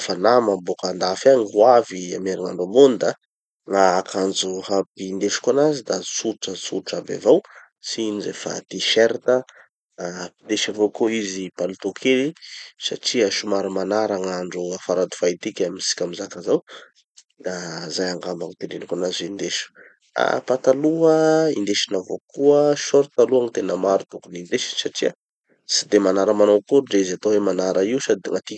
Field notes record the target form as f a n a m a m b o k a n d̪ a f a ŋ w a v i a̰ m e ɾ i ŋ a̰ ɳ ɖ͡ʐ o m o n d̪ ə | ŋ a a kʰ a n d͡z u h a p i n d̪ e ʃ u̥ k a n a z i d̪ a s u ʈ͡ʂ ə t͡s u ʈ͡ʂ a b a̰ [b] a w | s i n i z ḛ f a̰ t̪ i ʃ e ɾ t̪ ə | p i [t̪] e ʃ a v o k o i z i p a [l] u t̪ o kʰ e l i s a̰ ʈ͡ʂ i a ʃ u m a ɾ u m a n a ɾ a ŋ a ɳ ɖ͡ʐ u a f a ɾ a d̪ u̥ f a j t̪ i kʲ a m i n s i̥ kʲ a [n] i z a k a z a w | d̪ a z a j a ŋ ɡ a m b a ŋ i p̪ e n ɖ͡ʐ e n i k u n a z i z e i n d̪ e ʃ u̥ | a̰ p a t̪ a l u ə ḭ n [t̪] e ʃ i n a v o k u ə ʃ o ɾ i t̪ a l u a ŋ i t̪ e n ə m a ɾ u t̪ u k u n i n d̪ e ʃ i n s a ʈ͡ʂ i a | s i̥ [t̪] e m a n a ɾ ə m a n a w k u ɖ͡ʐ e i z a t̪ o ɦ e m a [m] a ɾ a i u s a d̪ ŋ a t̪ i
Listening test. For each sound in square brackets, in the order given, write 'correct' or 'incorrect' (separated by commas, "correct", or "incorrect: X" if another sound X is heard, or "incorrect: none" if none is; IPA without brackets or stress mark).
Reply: incorrect: v, incorrect: d̪, correct, incorrect: m, incorrect: d̪, incorrect: d̪, incorrect: n